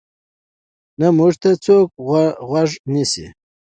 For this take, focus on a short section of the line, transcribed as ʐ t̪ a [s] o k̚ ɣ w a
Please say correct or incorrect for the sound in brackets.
incorrect